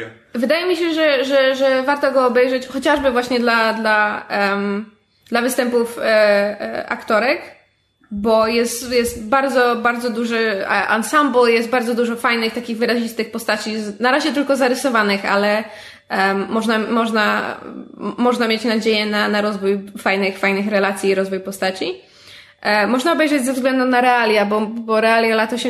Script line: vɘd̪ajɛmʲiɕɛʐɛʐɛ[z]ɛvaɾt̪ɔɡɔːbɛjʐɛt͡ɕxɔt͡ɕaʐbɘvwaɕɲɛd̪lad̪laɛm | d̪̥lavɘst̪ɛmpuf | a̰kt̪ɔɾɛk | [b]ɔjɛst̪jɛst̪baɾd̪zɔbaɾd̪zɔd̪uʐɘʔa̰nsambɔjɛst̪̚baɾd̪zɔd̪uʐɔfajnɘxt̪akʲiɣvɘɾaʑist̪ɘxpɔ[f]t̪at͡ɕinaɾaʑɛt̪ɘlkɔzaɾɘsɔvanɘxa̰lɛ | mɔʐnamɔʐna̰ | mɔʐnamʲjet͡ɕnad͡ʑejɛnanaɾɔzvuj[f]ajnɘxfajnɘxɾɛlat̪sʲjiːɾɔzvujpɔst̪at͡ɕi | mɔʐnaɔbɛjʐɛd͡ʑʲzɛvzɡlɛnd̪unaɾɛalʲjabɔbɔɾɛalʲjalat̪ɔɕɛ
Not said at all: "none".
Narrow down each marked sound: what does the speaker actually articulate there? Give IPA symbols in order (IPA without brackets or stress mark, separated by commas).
ʐ, b, s, f